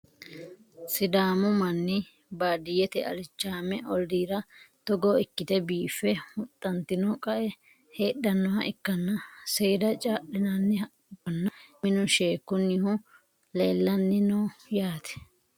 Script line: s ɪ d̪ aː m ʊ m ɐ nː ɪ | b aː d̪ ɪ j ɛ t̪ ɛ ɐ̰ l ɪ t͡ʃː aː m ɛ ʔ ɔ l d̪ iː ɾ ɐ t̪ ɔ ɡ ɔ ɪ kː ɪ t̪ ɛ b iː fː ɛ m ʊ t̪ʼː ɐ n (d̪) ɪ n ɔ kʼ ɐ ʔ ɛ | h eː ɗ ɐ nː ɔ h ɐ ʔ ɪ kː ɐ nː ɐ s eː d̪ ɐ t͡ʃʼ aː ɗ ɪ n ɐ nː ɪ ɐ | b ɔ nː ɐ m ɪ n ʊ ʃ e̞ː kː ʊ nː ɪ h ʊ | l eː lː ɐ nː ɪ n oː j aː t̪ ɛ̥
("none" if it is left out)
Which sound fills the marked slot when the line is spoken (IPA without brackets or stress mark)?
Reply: t̪